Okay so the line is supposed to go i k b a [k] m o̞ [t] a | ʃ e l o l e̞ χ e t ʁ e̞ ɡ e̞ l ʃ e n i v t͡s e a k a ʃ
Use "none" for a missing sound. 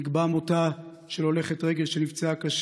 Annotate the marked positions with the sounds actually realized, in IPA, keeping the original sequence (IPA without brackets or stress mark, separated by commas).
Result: none, t